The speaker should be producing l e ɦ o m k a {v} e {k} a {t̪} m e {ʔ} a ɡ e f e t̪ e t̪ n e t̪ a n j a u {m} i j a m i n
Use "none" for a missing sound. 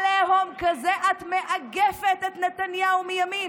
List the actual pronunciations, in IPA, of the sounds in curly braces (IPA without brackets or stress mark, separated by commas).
z, ʔ, t̪, ʔ, m